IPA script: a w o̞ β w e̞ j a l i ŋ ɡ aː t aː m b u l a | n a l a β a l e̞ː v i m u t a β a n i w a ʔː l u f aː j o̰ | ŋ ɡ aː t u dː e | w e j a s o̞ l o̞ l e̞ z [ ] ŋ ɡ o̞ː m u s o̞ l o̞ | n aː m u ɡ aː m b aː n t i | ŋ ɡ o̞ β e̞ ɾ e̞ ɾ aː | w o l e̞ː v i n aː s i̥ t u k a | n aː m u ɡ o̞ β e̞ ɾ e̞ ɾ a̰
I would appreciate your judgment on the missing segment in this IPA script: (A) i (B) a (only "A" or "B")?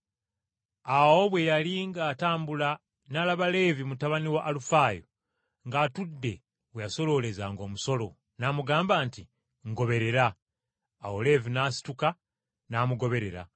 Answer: B